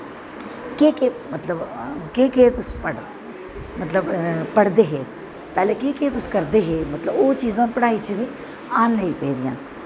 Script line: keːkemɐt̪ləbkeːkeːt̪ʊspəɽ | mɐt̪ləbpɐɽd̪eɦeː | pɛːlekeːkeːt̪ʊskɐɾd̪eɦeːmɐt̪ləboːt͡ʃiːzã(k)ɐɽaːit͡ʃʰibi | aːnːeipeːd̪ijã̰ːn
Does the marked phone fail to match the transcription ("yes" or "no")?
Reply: yes